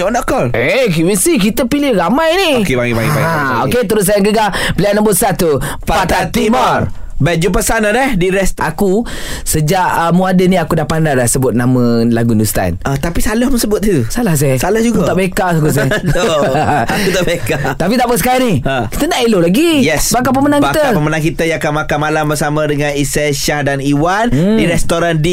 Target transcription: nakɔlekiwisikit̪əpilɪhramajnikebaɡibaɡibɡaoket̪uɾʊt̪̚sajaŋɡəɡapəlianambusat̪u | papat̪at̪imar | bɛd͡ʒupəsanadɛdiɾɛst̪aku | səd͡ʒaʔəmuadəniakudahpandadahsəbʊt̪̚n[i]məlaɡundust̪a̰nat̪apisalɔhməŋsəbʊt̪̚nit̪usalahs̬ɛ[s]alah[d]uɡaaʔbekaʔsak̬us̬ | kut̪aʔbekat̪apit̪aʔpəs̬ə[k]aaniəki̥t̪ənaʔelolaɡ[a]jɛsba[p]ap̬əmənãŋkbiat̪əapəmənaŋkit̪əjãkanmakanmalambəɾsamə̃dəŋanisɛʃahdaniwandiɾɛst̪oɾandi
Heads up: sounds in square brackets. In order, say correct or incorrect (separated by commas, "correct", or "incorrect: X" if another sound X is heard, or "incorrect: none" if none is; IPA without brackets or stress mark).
incorrect: a, correct, incorrect: d͡ʒ, correct, incorrect: i, incorrect: k